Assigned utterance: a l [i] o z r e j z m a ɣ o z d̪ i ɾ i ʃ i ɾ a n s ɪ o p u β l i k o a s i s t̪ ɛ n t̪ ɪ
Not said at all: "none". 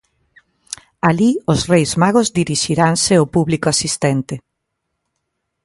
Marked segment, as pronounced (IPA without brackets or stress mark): i